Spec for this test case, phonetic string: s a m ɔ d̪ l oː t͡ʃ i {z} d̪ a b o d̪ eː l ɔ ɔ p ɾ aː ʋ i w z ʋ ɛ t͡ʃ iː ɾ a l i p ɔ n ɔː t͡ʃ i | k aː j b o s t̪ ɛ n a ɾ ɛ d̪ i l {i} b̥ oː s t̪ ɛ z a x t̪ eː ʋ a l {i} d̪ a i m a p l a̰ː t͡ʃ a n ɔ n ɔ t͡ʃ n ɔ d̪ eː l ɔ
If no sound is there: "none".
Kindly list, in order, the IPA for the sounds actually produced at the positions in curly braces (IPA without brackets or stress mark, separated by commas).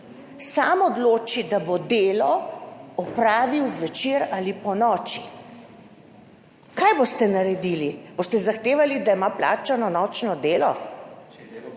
none, i, i